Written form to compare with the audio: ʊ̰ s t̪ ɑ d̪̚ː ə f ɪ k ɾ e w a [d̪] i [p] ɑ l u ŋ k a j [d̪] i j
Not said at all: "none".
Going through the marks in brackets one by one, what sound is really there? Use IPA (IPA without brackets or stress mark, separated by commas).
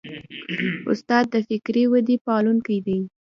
d̪, p, d̪